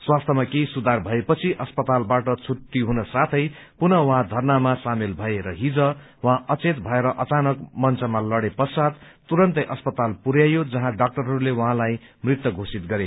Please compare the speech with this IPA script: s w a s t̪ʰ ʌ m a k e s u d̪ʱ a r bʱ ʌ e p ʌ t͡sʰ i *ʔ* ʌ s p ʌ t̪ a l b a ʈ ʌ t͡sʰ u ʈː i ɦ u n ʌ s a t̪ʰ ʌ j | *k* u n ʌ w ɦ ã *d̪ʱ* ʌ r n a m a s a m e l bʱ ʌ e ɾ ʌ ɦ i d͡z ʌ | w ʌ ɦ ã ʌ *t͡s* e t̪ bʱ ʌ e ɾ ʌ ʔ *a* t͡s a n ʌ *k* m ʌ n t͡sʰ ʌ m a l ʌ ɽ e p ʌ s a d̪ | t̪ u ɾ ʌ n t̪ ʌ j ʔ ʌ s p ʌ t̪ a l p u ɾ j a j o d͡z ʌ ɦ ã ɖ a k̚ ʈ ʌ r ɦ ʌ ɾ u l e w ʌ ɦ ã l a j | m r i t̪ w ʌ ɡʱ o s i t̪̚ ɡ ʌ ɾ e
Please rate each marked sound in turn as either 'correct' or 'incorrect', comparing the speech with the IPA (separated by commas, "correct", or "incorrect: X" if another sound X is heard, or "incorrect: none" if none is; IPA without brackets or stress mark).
correct, incorrect: p, correct, correct, incorrect: ʌ, correct